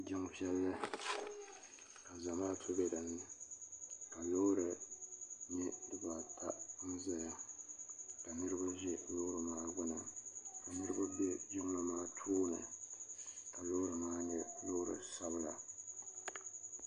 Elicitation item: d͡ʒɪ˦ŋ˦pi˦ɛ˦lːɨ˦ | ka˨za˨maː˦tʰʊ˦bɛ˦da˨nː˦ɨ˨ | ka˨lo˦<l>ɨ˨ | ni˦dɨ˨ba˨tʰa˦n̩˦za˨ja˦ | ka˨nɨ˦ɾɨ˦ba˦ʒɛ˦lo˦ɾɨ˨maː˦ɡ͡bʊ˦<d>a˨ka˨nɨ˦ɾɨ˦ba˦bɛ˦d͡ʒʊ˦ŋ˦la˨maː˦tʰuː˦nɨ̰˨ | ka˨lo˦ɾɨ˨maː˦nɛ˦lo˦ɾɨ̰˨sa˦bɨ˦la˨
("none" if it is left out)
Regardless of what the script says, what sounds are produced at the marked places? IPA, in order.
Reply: ɾ, n

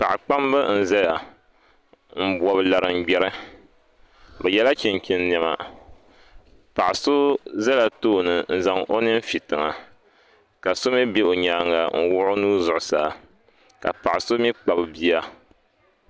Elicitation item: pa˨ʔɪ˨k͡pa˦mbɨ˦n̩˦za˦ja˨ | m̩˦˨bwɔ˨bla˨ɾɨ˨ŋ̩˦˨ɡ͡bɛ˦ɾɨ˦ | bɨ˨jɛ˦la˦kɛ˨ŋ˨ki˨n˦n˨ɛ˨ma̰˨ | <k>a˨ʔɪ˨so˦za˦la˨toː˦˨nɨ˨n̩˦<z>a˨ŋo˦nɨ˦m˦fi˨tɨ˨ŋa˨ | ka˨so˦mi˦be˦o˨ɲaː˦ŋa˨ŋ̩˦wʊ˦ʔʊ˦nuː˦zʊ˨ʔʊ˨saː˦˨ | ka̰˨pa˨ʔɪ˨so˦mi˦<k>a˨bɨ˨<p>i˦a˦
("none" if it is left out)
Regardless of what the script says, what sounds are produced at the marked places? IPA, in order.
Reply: p, z, k͡p, b

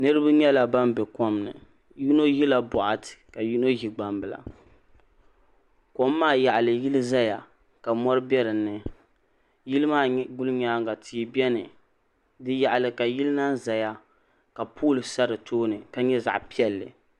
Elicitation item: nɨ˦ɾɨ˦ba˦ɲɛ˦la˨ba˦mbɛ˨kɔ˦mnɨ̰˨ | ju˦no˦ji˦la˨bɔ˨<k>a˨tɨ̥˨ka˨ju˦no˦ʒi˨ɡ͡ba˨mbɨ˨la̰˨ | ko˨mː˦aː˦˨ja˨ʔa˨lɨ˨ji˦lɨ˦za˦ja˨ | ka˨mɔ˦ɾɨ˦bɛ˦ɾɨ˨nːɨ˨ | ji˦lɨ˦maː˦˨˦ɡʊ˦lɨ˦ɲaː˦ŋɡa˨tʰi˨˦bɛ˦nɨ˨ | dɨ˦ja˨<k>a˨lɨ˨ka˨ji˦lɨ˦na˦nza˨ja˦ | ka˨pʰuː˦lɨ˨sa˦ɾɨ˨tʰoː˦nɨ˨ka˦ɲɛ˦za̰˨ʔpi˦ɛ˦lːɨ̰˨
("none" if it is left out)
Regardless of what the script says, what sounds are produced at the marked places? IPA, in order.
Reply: ʔ, ʔ

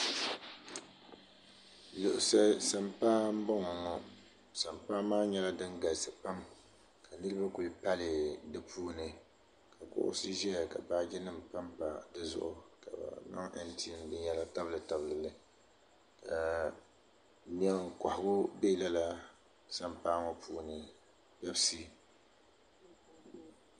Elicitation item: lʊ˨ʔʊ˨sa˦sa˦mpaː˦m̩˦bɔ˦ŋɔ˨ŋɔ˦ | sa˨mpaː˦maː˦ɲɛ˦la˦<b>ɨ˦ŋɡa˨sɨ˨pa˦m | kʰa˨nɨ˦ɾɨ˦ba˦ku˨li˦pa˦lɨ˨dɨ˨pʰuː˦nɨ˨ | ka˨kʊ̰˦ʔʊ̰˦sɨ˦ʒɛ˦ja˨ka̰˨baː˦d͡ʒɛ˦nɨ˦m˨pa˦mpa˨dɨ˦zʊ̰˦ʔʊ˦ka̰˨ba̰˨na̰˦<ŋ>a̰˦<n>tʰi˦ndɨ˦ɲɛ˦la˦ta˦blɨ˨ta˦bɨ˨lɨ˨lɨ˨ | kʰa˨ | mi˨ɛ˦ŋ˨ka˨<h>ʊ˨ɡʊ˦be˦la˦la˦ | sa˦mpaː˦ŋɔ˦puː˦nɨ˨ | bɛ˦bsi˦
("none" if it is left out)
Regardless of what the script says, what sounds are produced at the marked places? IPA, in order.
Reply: d, ŋ, n, h

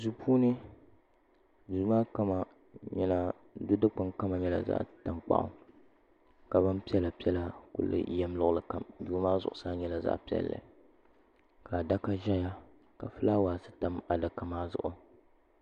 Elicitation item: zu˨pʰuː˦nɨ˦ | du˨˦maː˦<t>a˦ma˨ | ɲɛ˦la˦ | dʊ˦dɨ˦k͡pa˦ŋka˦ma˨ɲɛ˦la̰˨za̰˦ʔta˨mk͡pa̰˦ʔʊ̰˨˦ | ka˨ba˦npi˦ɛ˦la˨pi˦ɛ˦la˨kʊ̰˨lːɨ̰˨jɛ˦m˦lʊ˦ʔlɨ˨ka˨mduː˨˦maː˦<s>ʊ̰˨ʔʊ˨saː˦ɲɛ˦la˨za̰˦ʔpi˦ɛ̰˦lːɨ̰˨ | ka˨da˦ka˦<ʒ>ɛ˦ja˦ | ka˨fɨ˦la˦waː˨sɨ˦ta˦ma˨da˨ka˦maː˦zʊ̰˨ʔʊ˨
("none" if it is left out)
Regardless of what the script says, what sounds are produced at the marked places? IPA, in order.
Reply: k, z, ʒ

